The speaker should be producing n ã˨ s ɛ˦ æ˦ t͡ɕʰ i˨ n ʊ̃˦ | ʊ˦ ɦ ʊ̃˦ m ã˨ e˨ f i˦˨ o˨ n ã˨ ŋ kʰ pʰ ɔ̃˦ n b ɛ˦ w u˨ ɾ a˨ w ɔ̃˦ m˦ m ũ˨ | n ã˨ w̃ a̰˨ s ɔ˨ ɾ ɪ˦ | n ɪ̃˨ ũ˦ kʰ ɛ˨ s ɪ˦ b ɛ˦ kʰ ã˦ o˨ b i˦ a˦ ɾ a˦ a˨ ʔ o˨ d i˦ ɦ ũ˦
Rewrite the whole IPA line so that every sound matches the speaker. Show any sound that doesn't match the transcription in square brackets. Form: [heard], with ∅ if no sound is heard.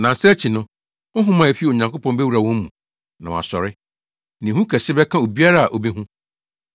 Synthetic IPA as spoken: n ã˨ s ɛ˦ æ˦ t͡ɕʰ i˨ n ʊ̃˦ | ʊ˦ ɦ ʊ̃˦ m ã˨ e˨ f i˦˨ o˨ [ɲ] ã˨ ŋ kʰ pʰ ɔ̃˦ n b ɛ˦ w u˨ ɾ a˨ w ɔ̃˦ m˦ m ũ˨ | n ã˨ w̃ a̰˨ s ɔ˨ ɾ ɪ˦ | n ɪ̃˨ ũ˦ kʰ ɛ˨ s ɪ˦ b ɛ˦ kʰ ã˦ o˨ b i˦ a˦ ɾ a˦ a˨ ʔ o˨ [b] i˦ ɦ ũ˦

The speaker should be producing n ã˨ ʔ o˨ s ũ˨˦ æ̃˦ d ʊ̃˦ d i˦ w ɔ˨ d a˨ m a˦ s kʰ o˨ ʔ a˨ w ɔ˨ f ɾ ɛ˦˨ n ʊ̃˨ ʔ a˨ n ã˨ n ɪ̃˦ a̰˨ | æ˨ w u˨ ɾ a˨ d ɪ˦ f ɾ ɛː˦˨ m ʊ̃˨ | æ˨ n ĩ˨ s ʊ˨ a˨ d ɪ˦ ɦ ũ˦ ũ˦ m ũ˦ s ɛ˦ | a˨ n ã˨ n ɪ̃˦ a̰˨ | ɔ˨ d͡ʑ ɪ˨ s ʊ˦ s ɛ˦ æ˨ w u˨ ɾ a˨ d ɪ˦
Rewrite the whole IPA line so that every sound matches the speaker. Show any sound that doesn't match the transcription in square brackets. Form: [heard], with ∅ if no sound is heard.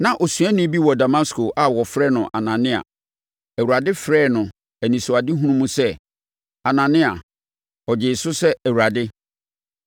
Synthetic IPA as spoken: n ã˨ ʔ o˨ s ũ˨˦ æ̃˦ [n] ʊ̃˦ [b] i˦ w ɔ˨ d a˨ m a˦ s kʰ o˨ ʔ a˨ w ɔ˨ f ɾ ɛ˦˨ n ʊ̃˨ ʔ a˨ n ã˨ n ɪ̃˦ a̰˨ | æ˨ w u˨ ɾ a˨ d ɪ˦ f ɾ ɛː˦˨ [n] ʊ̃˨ | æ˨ n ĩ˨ s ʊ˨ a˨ d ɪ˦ ɦ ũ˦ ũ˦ m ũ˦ s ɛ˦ | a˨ n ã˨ n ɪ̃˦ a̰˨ | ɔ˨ d͡ʑ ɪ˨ s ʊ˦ s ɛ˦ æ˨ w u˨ ɾ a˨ d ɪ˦

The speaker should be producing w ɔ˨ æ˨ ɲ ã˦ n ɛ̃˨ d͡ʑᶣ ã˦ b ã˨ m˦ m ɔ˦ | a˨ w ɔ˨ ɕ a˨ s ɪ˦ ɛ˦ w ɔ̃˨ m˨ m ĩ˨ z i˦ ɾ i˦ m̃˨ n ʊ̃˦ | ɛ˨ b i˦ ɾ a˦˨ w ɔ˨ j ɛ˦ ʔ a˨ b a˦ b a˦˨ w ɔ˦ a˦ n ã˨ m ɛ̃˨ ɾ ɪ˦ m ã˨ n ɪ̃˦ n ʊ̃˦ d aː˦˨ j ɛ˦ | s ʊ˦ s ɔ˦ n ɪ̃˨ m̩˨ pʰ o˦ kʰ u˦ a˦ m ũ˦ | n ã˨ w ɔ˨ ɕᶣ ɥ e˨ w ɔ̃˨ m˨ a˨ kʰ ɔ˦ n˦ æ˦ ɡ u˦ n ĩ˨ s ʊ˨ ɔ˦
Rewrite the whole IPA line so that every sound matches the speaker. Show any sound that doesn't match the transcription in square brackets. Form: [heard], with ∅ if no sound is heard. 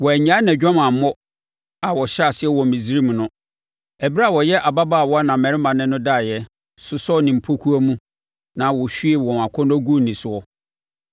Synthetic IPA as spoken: w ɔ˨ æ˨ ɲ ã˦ n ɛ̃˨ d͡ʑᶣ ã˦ [m] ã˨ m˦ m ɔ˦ | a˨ w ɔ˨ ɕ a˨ s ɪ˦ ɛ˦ w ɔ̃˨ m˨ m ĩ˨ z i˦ ɾ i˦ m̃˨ n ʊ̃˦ | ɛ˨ b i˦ ɾ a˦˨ w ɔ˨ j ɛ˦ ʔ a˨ b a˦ b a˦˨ w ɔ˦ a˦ n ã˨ m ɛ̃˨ ɾ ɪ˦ m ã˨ n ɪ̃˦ n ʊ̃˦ d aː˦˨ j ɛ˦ | s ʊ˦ s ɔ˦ n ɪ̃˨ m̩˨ pʰ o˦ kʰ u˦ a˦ m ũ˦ | n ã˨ w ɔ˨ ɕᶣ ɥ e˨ w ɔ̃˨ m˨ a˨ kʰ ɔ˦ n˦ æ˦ ɡ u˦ n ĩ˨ s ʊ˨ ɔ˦

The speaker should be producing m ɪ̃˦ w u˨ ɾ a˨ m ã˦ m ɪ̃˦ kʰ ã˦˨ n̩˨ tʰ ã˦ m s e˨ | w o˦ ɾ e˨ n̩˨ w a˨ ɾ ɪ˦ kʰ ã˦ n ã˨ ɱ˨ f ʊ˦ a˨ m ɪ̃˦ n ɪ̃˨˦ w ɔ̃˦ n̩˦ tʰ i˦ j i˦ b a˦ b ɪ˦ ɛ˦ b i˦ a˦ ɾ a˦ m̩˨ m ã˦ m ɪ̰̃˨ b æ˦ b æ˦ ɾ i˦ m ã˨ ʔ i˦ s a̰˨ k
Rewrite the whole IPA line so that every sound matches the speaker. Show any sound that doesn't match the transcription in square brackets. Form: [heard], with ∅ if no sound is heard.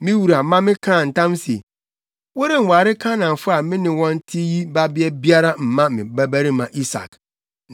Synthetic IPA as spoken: m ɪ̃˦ w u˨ ɾ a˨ m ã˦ m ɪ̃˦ kʰ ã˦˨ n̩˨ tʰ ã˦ m s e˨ | w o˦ ɾ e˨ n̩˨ w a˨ ɾ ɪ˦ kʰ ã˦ n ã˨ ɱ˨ f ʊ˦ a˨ m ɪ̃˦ n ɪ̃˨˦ w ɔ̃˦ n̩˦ tʰ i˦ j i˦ b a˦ b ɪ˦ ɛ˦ b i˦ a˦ ɾ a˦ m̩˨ m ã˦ m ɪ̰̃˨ b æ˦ b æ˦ ɾ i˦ m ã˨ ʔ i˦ s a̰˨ k

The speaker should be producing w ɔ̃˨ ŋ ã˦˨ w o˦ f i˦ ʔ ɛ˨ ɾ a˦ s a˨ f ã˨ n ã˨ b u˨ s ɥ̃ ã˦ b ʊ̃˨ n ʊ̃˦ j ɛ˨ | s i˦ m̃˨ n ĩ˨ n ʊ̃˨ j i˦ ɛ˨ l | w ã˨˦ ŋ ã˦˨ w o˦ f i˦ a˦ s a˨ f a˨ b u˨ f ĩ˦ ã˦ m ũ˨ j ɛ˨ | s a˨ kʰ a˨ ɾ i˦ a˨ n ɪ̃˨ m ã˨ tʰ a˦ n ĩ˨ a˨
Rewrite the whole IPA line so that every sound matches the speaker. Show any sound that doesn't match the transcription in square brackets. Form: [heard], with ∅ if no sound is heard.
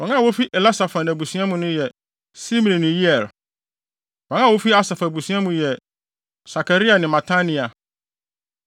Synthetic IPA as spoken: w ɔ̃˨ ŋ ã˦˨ w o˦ f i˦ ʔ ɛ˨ [l] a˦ s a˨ f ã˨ n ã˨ b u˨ s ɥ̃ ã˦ [m] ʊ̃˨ n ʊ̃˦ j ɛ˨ | s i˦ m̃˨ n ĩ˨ n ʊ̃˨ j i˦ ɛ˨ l | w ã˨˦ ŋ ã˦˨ w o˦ f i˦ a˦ s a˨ f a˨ b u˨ [s] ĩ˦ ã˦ m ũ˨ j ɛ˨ | s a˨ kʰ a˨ ɾ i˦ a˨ n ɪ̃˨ m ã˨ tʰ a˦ n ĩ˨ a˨

